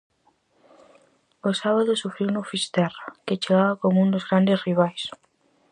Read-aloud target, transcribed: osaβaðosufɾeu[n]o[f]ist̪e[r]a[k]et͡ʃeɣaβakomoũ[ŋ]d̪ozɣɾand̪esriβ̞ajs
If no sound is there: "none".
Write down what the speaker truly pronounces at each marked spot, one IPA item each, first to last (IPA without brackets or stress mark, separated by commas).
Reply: n, f, r, k, n